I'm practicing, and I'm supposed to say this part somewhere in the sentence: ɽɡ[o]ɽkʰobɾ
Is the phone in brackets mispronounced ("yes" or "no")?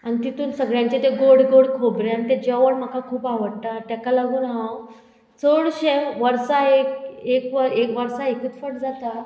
no